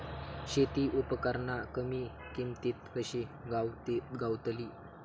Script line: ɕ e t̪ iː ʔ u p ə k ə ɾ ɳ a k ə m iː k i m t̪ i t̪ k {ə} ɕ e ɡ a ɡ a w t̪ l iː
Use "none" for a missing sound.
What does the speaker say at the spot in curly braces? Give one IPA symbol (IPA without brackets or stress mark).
ə